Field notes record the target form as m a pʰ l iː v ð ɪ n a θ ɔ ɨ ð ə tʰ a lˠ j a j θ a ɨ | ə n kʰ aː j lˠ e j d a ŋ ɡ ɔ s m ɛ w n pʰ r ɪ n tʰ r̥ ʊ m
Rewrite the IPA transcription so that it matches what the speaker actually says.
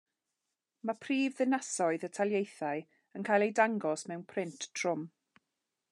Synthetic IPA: m a pʰ r iː v ð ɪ n a s ɔ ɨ ð ə tʰ a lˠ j e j θ a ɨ | ə n kʰ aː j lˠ e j d a ŋ ɡ ɔ s m ɛ w n pʰ r ɪ n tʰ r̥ ʊ m